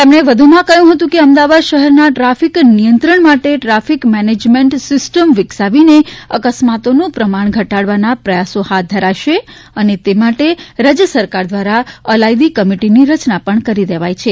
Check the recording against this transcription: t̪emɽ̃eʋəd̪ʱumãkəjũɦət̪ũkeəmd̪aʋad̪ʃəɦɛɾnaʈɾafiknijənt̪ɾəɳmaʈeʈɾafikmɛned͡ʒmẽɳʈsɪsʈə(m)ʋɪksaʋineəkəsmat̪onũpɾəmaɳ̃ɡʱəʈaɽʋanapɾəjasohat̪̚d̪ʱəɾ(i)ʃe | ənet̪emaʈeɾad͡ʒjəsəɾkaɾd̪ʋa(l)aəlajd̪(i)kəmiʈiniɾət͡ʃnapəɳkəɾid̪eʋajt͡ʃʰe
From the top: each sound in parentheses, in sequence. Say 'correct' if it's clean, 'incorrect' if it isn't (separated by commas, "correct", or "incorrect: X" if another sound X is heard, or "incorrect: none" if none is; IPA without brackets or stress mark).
correct, incorrect: a, incorrect: ɾ, correct